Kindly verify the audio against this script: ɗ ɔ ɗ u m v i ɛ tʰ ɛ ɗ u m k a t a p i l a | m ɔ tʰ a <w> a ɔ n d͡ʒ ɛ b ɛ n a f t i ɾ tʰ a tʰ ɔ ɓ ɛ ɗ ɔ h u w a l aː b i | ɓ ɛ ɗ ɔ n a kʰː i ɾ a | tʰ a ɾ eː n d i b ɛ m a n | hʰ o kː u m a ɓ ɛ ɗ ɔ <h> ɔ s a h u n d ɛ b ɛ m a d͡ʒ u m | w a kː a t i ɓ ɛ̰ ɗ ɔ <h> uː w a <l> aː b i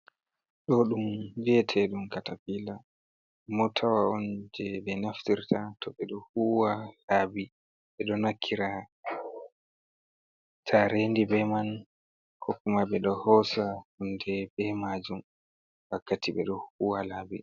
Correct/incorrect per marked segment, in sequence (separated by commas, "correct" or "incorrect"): correct, correct, correct, correct